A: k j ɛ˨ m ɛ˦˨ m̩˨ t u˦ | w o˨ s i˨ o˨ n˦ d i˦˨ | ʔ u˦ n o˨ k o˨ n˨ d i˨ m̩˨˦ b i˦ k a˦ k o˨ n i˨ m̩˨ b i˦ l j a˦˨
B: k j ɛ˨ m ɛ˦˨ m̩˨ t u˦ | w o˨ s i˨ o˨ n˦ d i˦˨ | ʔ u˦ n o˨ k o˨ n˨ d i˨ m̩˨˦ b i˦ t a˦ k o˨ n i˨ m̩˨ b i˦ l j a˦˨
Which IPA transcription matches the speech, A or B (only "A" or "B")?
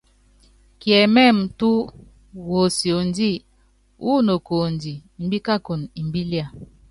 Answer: A